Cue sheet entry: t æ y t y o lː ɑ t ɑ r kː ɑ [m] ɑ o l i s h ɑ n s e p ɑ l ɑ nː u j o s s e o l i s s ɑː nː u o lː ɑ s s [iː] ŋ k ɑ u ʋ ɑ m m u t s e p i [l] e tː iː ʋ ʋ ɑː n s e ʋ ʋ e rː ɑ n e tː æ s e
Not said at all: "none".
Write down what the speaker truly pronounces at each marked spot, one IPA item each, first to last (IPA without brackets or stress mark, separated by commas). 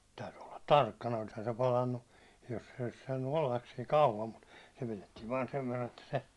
n, iː, l